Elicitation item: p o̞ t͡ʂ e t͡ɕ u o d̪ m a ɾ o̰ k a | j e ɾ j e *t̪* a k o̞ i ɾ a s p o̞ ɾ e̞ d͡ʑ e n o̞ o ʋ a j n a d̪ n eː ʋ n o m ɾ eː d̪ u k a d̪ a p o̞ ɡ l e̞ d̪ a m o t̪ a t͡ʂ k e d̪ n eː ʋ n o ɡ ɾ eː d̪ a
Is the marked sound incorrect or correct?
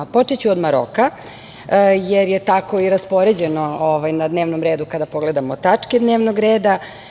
correct